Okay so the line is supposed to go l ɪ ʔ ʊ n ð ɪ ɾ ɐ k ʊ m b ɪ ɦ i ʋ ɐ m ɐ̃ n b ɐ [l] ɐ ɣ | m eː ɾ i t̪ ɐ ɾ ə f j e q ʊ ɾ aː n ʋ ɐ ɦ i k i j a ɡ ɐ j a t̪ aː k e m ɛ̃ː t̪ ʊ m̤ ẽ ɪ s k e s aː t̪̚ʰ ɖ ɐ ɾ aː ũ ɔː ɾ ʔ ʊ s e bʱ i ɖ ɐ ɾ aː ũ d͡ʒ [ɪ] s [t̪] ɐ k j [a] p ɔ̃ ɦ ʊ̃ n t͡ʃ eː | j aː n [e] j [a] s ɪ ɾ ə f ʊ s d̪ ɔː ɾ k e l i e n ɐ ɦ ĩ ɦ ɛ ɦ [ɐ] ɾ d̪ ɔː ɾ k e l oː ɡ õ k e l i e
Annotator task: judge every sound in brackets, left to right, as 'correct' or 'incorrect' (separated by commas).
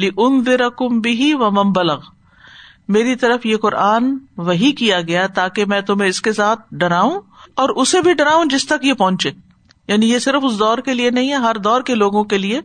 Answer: correct, correct, correct, incorrect, incorrect, incorrect, correct